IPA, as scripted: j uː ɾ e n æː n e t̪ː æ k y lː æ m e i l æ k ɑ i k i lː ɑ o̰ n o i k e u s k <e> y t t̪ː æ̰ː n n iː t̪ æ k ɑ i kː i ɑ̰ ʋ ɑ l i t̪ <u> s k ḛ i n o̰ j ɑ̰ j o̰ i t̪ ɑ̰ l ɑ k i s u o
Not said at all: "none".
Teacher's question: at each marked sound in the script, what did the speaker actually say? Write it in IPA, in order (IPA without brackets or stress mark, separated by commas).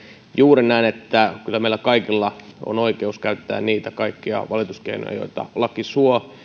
æ, u